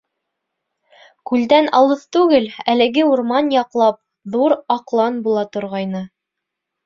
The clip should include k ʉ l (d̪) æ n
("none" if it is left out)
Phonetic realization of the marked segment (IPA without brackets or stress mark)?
d̪